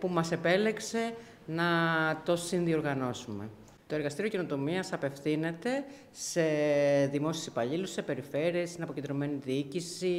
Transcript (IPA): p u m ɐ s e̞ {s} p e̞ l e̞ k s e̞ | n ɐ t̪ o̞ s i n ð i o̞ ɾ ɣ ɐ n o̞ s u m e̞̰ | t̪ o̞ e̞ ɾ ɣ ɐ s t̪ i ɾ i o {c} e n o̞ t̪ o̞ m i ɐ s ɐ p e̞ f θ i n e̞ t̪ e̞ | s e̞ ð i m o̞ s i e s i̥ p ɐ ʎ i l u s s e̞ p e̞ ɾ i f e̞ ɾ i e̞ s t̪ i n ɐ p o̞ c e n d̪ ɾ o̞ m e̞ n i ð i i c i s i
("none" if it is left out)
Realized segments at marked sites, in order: none, c

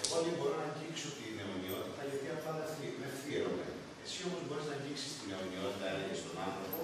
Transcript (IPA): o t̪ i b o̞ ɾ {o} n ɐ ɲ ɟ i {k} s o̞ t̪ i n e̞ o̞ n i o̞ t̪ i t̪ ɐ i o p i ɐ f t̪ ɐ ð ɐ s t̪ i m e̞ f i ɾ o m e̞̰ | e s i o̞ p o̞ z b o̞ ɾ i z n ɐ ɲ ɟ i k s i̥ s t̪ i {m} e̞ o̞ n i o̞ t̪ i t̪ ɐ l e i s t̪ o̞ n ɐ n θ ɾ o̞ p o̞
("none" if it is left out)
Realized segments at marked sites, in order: o, k, n

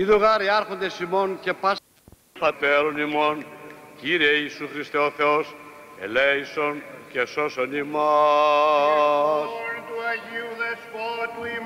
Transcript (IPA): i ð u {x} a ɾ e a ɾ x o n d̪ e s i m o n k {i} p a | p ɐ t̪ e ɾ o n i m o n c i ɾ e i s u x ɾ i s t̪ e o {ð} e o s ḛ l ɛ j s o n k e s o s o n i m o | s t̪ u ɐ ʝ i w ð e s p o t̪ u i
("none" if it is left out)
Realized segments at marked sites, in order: ɣ, e, θ

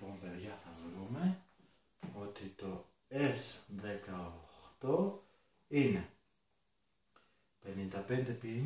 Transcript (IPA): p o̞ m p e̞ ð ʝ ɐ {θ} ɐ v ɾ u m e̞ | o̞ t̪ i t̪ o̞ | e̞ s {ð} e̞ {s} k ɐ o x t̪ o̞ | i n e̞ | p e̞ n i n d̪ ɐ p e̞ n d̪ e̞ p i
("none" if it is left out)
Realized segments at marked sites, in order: θ, ð, none

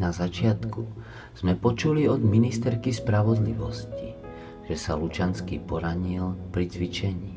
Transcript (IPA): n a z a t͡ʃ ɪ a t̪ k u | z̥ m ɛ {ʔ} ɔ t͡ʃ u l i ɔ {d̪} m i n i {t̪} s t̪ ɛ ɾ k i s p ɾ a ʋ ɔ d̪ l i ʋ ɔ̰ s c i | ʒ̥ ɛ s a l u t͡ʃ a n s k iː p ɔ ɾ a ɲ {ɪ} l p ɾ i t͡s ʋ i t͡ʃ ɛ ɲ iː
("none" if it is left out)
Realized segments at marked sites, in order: p, d̪, none, i

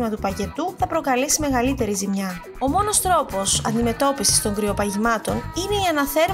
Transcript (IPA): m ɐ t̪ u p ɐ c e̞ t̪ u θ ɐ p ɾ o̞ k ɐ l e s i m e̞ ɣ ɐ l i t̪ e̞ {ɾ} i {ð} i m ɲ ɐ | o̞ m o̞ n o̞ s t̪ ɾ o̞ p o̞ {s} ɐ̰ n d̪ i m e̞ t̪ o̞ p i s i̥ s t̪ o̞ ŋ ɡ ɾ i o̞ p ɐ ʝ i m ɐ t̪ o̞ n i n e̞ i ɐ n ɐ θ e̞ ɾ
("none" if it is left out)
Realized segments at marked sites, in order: ɾ, z, s

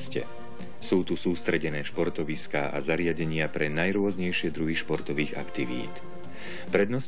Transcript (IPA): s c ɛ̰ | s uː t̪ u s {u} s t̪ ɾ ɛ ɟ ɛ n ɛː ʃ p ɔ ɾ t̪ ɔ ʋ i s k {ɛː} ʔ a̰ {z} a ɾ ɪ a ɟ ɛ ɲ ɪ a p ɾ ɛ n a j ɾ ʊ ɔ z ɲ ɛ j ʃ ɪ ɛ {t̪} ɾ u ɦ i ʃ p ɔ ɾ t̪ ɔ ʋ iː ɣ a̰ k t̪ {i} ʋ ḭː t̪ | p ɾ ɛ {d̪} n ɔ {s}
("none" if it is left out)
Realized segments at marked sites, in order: uː, aː, z, d̪, i, d̪, s

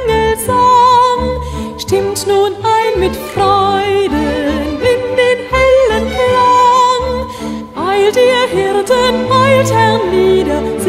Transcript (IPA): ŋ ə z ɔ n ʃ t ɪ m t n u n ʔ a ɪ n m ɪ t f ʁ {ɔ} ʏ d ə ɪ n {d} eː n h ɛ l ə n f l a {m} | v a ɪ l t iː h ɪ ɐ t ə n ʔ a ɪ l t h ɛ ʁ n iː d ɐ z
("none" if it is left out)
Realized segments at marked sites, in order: ɔ, d, n

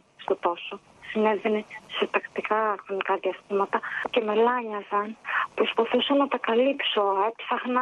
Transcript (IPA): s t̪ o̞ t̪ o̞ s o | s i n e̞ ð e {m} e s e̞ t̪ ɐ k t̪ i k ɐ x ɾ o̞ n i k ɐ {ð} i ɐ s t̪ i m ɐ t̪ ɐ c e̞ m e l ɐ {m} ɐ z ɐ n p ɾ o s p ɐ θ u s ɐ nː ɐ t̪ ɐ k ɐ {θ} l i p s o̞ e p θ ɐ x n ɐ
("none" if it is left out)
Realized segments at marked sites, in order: n, ð, ɲ, none

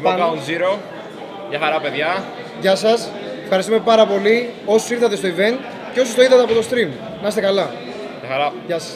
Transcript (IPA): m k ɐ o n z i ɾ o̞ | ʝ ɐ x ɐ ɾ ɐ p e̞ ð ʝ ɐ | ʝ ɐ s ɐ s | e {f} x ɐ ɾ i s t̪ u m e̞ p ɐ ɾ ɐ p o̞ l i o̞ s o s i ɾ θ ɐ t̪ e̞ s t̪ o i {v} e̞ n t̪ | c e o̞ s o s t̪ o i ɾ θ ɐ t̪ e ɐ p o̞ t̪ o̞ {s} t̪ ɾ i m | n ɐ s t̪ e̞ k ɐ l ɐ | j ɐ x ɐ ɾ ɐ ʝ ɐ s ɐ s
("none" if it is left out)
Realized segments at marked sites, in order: f, v, s

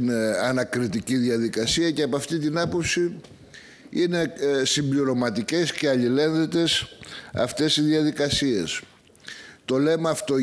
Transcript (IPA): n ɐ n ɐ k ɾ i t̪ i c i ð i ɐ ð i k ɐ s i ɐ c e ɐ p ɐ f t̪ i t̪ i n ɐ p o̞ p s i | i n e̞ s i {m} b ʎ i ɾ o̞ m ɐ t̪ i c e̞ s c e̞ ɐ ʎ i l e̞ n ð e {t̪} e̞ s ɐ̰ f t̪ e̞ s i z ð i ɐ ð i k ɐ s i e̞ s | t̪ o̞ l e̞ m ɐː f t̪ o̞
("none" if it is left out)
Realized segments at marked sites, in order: m, t̪

